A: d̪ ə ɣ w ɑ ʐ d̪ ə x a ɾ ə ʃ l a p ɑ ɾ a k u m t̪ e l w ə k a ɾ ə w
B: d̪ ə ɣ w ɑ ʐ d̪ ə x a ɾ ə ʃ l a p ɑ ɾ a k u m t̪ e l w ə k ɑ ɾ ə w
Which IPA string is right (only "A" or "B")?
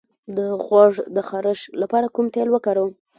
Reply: A